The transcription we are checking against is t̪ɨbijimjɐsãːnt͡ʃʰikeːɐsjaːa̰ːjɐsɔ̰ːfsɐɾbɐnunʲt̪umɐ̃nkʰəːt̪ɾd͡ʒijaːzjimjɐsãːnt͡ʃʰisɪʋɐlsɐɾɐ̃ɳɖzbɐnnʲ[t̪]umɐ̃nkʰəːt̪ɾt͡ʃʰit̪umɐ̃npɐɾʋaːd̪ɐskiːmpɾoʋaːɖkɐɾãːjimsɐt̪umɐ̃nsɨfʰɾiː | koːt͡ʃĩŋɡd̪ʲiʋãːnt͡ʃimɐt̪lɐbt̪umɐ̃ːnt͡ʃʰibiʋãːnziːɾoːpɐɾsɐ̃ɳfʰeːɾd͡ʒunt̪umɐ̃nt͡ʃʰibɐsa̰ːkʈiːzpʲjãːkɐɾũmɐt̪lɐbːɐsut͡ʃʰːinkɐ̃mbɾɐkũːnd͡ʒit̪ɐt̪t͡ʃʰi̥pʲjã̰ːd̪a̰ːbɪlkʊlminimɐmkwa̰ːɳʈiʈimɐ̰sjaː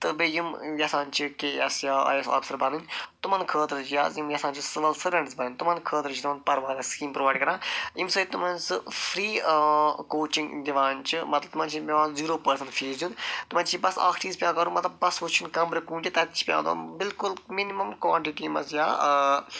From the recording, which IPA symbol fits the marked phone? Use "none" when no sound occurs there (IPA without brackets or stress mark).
t̪